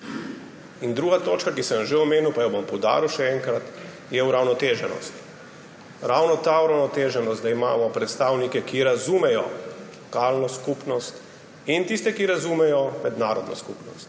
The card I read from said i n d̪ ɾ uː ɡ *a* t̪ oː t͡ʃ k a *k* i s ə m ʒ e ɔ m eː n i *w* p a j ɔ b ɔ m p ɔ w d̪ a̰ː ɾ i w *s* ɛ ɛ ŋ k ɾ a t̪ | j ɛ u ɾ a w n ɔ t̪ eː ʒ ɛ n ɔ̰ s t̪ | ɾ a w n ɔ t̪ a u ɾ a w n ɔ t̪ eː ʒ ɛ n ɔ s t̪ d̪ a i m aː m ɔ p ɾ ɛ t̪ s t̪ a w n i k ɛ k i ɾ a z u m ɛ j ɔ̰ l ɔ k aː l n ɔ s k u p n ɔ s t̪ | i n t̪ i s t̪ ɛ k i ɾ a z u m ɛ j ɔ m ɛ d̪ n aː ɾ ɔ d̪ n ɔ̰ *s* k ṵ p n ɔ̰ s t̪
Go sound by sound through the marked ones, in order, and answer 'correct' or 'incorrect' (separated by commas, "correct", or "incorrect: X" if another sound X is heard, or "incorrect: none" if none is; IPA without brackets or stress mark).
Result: correct, correct, correct, incorrect: ʃ, correct